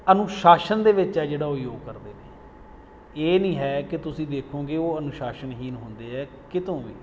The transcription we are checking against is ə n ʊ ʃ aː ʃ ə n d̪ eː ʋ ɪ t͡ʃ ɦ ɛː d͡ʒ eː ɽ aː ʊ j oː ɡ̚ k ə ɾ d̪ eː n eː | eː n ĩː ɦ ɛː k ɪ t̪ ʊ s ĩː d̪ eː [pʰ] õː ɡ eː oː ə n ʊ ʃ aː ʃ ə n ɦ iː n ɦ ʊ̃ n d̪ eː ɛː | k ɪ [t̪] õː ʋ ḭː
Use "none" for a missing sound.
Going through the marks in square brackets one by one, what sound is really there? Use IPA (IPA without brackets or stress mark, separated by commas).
kʰ, t̪